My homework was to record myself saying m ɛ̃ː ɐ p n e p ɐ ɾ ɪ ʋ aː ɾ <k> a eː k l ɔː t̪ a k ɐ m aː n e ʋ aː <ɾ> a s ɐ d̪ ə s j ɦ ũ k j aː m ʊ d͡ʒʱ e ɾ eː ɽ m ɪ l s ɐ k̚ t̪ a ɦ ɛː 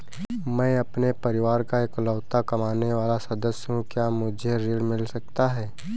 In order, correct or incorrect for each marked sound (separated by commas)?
correct, incorrect